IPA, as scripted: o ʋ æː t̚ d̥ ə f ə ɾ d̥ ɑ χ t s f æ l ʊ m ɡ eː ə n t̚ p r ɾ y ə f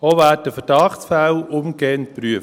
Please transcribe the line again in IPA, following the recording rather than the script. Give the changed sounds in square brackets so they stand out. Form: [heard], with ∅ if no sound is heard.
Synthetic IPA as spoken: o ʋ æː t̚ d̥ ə f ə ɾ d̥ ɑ χ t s f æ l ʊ m ɡ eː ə n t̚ p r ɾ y ə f